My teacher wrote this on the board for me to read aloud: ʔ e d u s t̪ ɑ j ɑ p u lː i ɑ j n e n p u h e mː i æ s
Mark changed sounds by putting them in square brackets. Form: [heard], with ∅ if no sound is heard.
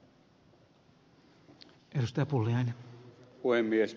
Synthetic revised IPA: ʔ e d u s t̪ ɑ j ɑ p u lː i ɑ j n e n p u h e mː i [e] s